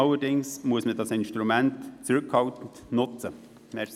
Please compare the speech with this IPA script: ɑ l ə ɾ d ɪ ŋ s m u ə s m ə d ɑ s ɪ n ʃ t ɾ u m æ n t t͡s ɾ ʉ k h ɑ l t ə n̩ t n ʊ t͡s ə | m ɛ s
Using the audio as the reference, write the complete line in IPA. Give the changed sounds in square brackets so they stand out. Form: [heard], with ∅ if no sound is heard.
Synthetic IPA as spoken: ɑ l ə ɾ d ɪ ŋ s m u ə s m ə d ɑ s ɪ n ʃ t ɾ u m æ n t t͡s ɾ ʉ k h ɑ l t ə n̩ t n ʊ t͡s ə | m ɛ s